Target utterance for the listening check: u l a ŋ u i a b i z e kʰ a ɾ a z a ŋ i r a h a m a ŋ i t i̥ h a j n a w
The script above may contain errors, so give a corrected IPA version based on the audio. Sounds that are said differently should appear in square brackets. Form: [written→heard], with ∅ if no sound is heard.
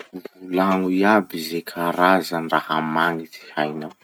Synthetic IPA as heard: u l a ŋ u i a b i z e kʰ a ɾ a z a [ŋ→n] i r a h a m a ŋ i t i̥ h a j n a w